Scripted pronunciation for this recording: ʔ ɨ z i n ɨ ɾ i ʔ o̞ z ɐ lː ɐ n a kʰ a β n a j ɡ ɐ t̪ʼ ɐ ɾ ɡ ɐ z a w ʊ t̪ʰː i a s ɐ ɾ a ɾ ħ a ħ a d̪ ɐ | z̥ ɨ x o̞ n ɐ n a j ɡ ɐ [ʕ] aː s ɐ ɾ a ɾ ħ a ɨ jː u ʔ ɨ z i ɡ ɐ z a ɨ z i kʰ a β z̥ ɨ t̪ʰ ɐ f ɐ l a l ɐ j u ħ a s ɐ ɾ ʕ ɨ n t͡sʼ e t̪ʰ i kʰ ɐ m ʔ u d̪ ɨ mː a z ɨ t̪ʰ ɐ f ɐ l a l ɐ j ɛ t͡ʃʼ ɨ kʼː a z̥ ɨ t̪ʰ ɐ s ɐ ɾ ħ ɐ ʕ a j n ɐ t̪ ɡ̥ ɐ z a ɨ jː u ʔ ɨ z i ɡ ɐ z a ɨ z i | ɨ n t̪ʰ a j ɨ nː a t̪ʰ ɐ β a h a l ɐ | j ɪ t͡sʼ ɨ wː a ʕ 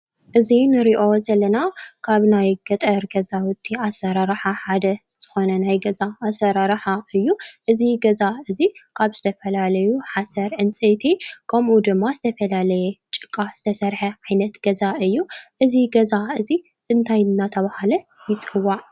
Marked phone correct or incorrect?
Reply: incorrect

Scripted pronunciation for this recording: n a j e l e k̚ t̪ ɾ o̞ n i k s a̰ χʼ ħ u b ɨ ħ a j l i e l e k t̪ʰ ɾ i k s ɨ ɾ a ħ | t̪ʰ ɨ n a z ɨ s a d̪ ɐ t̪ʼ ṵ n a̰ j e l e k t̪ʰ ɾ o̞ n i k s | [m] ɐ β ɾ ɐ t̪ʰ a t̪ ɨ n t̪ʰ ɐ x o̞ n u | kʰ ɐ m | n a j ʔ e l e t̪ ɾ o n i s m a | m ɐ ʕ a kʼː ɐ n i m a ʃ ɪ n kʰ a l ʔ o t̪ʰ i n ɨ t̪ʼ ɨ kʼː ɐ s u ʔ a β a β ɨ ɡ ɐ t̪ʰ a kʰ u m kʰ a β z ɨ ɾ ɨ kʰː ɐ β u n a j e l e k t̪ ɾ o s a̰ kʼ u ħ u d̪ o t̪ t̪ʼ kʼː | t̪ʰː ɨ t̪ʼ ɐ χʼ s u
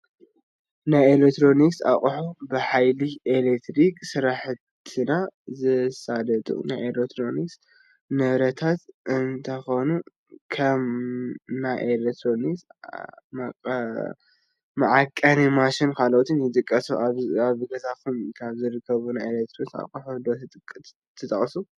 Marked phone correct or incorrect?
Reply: incorrect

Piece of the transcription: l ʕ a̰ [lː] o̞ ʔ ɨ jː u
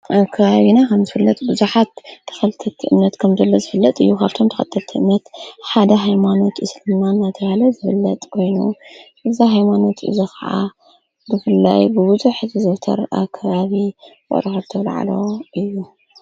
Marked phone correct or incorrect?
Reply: incorrect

